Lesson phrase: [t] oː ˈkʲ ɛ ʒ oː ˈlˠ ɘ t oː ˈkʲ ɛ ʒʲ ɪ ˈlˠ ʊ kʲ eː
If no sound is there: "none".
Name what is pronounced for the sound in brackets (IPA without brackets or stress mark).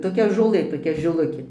t